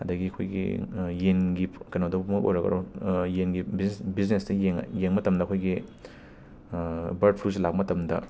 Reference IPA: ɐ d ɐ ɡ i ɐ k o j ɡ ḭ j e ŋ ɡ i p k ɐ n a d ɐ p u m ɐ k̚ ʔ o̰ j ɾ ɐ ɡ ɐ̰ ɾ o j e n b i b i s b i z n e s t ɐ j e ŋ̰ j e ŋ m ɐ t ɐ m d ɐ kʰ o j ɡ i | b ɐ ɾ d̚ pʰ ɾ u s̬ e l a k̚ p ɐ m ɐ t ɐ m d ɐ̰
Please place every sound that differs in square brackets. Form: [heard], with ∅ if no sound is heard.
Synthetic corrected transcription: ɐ d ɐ ɡ i ɐ [kʰ] o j ɡ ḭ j e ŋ ɡ i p k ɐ n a d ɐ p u m ɐ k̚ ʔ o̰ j ɾ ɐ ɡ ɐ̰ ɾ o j e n [ɡ] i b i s b i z n e s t ɐ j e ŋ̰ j e ŋ m ɐ t ɐ m d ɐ kʰ o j ɡ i | b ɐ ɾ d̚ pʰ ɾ u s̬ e l a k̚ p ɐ m ɐ t ɐ m d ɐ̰